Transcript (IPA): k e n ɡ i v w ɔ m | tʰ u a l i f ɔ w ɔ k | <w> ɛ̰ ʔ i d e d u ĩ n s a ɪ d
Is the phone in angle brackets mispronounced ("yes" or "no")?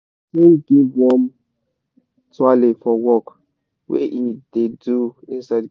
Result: no